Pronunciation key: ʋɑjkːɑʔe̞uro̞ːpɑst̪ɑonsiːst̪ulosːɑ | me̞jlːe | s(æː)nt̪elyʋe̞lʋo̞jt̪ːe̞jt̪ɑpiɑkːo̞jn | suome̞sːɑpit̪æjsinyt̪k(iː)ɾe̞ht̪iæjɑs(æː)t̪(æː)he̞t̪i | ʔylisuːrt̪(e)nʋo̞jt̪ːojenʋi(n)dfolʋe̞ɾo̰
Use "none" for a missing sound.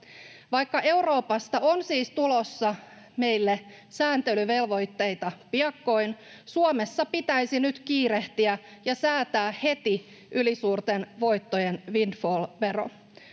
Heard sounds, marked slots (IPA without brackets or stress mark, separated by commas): æː, iː, æː, æː, e, n